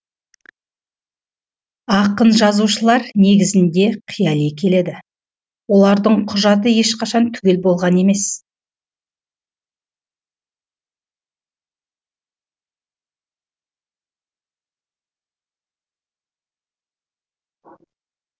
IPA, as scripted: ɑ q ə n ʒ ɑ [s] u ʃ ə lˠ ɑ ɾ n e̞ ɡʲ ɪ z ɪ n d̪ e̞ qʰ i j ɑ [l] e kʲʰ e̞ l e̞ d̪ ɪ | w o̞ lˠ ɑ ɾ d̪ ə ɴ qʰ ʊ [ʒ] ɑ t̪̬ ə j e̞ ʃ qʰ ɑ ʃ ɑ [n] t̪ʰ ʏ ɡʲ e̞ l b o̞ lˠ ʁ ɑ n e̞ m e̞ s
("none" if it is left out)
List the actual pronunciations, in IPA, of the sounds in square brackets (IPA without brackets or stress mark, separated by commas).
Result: z, l, ʒ, n